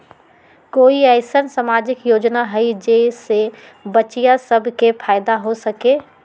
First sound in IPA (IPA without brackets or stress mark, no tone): k